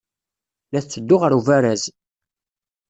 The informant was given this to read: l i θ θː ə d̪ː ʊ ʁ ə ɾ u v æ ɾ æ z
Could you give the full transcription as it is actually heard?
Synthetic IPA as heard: l æ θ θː ə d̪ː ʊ ʁ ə ɾ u v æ ɾ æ z